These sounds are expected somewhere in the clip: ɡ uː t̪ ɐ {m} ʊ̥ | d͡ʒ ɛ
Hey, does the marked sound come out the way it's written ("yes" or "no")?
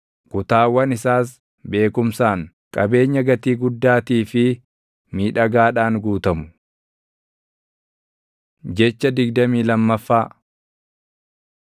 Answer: yes